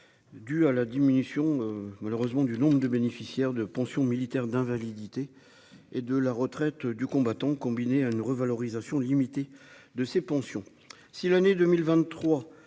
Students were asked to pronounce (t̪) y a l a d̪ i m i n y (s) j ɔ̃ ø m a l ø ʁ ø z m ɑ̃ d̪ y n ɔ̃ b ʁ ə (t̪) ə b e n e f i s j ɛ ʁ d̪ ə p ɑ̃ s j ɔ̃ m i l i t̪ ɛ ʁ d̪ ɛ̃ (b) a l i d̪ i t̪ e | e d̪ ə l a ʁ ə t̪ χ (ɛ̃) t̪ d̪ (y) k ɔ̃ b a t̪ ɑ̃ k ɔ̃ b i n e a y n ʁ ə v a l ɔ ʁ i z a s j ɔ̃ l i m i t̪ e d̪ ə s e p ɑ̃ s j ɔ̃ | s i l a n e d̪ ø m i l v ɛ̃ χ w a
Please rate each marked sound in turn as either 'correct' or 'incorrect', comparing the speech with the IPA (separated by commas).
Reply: incorrect, correct, incorrect, incorrect, incorrect, correct